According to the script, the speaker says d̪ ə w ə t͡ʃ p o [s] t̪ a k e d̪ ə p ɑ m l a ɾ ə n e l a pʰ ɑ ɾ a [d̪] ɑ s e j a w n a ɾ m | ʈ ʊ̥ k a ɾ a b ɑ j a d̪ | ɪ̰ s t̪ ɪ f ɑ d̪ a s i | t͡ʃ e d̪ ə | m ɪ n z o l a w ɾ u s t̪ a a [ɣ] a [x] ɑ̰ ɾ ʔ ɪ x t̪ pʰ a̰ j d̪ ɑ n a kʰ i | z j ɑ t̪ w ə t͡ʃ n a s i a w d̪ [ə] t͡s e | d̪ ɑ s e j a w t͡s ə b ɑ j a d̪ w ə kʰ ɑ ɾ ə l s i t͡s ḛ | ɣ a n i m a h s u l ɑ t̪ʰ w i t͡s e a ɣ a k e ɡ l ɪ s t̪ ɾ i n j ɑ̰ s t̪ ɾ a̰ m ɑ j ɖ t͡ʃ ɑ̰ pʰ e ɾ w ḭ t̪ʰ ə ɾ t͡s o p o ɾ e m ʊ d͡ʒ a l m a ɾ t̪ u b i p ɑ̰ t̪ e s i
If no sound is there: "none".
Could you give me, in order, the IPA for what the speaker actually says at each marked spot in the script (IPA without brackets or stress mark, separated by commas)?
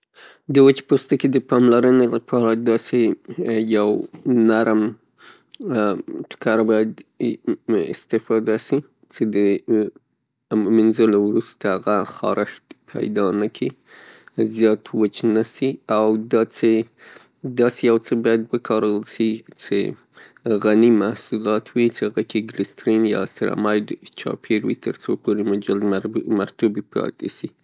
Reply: s, d̪, ɣ, x, ɑ